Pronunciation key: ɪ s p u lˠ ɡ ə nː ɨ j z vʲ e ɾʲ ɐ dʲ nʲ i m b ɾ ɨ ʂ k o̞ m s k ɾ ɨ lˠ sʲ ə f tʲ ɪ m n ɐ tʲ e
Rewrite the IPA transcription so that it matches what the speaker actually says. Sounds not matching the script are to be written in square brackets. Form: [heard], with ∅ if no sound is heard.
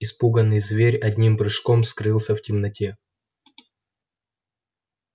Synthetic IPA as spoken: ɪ s p u [∅] ɡ ə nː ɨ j z vʲ e ɾʲ ɐ dʲ nʲ i m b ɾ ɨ ʂ k o̞ m s k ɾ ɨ lˠ sʲ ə f tʲ ɪ m n ɐ tʲ e